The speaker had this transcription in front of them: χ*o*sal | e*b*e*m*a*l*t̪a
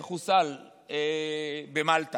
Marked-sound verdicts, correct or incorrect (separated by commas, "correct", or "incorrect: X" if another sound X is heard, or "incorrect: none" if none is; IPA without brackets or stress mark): incorrect: u, correct, correct, correct